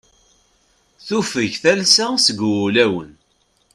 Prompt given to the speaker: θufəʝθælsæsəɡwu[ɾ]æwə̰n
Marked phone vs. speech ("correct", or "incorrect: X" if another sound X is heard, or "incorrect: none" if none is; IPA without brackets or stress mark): incorrect: l